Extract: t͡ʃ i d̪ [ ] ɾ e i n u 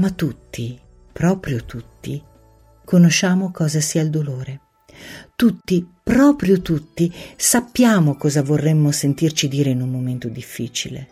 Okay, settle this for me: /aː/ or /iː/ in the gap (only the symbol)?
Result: iː